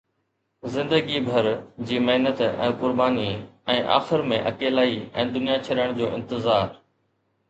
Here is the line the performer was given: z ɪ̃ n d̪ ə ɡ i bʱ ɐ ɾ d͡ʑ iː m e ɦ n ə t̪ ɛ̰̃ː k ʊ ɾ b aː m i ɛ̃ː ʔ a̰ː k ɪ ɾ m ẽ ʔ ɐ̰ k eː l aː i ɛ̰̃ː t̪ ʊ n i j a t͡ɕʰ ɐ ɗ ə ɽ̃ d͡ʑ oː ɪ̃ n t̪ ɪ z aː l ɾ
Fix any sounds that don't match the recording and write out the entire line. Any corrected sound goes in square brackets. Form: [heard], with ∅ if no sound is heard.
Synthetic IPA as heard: z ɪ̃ n d̪ ə ɡ i bʱ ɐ ɾ d͡ʑ iː m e ɦ n ə t̪ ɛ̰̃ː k ʊ ɾ b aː [n] i ɛ̃ː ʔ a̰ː [x] ɪ ɾ m ẽ ʔ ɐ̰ k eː l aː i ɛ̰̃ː [d̪] ʊ n i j a t͡ɕʰ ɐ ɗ ə ɽ̃ d͡ʑ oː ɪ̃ n t̪ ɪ z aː [∅] ɾ